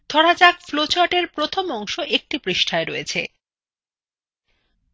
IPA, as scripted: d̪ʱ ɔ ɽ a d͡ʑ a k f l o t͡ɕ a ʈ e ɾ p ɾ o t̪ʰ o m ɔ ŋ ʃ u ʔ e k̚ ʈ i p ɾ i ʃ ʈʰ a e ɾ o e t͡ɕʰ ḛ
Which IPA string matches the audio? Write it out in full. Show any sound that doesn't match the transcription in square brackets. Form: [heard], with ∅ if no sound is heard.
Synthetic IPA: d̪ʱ ɔ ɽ a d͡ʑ a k f l o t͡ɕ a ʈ e ɾ p ɾ o t̪ʰ o m ɔ ŋ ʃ [o] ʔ e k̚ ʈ i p ɾ i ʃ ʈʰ a e ɾ o e t͡ɕʰ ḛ